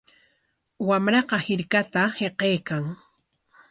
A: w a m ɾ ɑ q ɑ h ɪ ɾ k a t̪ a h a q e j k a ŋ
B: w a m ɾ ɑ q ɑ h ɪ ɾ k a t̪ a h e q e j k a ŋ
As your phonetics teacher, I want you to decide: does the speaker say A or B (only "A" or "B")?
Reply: B